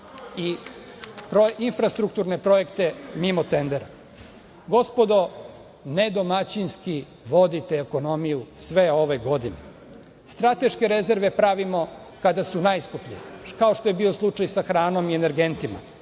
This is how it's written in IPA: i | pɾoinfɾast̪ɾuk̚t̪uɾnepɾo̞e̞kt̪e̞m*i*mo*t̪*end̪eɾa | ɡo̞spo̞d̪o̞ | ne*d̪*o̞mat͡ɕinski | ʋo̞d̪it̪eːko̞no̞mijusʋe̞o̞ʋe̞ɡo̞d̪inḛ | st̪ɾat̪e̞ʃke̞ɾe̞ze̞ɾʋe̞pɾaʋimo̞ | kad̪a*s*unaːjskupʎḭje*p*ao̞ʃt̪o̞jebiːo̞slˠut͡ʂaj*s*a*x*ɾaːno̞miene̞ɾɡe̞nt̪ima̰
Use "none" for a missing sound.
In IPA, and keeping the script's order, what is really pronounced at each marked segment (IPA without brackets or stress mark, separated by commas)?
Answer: i, t̪, d̪, s, k, s, x